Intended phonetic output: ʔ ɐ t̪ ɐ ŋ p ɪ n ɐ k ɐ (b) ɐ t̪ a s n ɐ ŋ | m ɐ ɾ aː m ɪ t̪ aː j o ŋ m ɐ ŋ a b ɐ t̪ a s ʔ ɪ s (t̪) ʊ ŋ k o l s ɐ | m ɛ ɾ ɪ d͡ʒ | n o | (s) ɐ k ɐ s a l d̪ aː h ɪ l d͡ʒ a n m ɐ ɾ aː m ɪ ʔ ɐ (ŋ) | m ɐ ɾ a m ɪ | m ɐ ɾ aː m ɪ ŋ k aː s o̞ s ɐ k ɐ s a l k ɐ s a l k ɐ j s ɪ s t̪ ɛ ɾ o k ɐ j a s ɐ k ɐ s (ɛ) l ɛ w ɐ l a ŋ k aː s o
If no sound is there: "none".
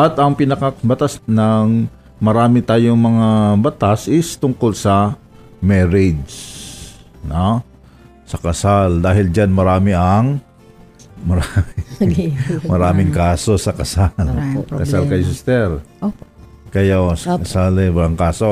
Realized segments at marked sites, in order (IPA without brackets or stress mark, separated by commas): b, t̪, s, ŋ, a